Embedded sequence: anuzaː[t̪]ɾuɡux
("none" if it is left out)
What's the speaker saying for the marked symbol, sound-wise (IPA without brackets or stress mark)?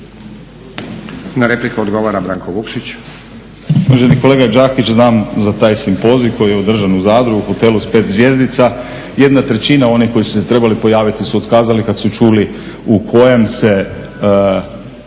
d̪